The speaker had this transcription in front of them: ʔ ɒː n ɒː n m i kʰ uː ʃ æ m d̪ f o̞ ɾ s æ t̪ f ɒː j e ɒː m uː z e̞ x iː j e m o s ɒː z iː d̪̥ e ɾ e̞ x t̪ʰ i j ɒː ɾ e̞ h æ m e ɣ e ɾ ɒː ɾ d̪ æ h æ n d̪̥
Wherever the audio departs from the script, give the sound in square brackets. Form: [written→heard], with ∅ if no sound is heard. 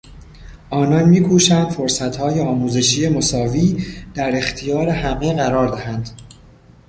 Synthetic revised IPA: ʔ ɒː n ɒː n m [i→iː] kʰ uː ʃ æ [m→n] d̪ f o̞ ɾ s æ t̪ [f→h] ɒː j e ɒː m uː z e̞ [x→ʃ] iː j e m o s ɒː [z→v] iː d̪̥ [e→æ] ɾ e̞ x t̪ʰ i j ɒː ɾ e̞ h æ m e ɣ [e→æ] ɾ ɒː ɾ d̪ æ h æ n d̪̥